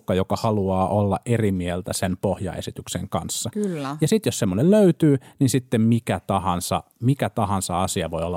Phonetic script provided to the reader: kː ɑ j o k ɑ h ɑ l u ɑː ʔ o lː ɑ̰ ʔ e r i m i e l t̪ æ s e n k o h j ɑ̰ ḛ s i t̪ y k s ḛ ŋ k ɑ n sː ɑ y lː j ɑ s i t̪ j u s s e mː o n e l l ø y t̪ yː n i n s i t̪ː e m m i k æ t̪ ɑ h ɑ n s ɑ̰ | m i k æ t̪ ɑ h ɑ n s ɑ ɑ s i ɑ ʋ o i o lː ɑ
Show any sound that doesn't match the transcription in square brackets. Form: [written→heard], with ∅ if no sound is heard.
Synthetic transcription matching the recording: kː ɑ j o k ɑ h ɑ l u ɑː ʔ o lː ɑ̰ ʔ e r i m i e l t̪ æ s e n [k→p] o h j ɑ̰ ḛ s i t̪ y k s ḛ ŋ k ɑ n sː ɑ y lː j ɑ s i t̪ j [u→o] s s e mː o n e l l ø y t̪ yː n i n s i t̪ː e m m i k æ t̪ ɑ h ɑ n s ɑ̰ | m i k æ t̪ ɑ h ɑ n s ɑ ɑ s i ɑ ʋ o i o lː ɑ